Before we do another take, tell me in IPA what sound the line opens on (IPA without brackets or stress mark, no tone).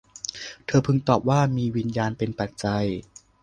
t̪ʰ